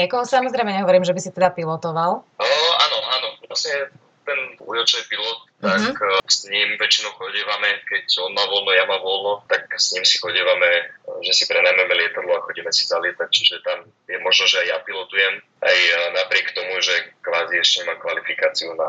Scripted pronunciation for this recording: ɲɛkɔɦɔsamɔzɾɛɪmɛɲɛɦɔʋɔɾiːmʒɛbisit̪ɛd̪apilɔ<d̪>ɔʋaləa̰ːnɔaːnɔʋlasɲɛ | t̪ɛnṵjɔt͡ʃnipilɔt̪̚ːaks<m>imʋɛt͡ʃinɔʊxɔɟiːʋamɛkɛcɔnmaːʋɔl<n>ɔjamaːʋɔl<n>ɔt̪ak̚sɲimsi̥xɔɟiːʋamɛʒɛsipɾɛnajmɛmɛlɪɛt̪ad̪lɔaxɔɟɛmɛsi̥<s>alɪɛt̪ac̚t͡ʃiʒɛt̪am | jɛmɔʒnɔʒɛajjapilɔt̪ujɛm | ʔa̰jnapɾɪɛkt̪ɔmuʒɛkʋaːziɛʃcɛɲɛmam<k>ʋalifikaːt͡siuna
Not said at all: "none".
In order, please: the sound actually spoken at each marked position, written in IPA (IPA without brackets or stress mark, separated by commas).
t̪, ɲ, n, n, z, k